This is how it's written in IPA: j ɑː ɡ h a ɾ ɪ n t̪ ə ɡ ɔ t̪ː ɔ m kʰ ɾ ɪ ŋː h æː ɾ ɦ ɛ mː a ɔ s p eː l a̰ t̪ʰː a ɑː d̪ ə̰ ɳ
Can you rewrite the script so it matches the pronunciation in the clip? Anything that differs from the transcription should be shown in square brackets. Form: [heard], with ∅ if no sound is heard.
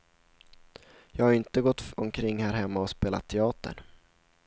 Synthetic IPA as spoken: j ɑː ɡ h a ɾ ɪ n t̪ ə ɡ ɔ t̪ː ɔ m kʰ ɾ ɪ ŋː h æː ɾ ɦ ɛ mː a ɔ s p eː l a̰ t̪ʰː [ɛ] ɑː [t̪] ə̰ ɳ

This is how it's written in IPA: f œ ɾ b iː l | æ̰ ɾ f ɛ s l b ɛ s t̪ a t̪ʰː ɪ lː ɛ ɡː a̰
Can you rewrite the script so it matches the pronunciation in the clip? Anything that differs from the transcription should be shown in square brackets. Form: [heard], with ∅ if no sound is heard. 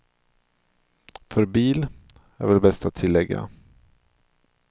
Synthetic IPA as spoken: f œ ɾ b iː l | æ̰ ɾ [v] ɛ [∅] l b ɛ s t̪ a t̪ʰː ɪ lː ɛ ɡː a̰

